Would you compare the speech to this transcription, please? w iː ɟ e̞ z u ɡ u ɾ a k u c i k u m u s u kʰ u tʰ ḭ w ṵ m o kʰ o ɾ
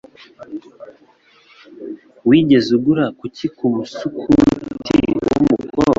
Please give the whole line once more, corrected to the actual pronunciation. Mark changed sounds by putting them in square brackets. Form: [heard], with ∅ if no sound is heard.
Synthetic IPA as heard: w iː ɟ e̞ z u ɡ u ɾ a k u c i k u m u s u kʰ u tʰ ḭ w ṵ m [u] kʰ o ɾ